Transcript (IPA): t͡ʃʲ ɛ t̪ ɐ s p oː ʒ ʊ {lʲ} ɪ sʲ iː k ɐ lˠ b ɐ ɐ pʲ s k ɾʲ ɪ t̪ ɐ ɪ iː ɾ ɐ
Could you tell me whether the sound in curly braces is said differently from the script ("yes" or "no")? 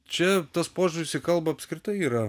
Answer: yes